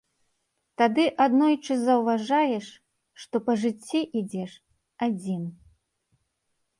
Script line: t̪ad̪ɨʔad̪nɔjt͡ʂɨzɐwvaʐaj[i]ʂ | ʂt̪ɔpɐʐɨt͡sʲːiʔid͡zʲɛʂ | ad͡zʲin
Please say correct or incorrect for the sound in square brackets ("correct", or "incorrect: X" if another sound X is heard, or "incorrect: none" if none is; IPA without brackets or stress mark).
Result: incorrect: ɛ